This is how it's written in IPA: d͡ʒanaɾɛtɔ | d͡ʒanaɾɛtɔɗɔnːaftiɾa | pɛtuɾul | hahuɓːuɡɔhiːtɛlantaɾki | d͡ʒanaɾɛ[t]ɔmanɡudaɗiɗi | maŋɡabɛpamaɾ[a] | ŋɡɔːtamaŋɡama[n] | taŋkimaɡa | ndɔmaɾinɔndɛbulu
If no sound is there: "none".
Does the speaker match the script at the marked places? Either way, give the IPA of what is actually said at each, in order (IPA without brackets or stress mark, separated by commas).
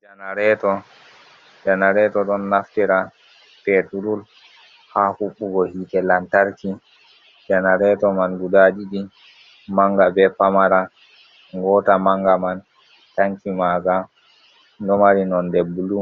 t, a, n